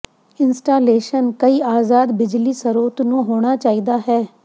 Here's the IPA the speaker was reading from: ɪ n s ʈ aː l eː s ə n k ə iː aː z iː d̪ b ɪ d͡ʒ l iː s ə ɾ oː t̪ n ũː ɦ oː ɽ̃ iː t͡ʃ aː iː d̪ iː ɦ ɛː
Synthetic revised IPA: ɪ n s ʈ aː l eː ʃ ə n k ə iː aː z aː d̪ b ɪ d͡ʒ l iː s ə ɾ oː t̪ n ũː ɦ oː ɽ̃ aː t͡ʃ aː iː d̪ aː ɦ ɛː